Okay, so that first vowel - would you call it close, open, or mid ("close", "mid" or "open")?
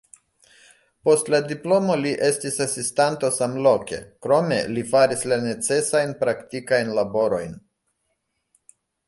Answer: mid